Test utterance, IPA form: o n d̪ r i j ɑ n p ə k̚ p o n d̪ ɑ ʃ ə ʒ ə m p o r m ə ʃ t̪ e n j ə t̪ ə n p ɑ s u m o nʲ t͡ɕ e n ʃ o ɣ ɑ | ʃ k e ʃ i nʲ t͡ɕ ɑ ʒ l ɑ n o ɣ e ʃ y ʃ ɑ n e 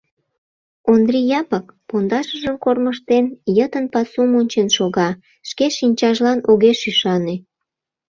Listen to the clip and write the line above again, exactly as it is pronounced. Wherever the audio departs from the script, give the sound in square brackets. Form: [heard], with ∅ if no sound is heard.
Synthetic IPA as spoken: o n d̪ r i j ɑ [∅] p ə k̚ p o n d̪ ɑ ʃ ə ʒ ə m [k] o r m ə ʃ t̪ e n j ə t̪ ə n p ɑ s u m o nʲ t͡ɕ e n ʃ o ɣ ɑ | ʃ k e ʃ i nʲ t͡ɕ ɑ ʒ l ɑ n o ɣ e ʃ y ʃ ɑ n e

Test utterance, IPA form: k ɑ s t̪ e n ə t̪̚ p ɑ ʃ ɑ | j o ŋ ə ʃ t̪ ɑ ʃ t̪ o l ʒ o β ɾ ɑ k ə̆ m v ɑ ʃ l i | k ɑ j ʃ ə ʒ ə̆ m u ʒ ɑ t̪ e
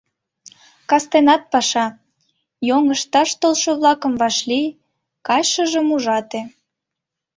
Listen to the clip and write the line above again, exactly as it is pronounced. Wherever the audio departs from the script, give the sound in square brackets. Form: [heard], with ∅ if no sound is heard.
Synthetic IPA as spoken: k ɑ s t̪ e n [ɑ] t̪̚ p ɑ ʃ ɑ | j o ŋ ə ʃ t̪ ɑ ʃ t̪ o l [ʃ] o β [l] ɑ k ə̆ m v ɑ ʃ l i | k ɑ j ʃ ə ʒ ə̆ m u ʒ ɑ t̪ e

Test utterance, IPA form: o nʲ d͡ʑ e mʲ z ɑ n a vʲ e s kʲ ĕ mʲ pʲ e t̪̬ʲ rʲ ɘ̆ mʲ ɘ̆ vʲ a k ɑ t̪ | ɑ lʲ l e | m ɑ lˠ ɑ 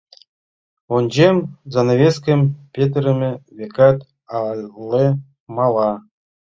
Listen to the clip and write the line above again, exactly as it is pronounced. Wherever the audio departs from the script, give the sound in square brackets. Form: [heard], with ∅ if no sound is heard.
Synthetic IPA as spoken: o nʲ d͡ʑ e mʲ z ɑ n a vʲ e s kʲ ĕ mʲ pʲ e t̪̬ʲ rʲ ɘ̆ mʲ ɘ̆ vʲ [e] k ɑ t̪ | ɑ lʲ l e | m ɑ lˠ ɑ

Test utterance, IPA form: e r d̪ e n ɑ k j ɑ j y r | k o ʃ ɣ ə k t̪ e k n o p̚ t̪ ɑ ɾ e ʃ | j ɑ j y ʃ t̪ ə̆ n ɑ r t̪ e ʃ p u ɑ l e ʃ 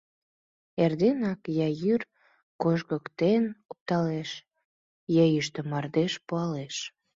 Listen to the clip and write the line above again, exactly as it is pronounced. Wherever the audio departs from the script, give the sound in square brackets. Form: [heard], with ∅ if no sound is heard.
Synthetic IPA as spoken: e r d̪ e n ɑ k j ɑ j y r | k o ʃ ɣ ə k t̪ e [∅] n o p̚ t̪ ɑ [l] e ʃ | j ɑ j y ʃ t̪ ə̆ [m] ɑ r [d̪] e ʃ p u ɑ l e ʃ

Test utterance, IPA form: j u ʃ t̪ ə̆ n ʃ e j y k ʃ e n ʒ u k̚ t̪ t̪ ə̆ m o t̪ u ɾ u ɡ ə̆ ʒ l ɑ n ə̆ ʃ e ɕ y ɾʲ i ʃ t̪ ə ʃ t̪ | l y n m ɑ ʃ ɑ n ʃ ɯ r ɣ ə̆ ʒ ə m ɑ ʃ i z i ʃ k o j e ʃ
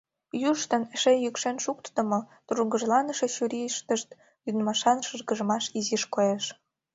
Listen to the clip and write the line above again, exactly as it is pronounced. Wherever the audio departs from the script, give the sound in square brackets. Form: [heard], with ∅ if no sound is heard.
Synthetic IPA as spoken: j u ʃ t̪ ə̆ n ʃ e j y k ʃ e n [ʃ] u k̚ t̪ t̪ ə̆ m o t̪ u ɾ u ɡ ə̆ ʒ l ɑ n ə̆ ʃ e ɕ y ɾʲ i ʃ t̪ ə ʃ t̪ | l y n m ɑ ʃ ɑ n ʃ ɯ r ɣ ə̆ ʒ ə m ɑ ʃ i z i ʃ k o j e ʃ

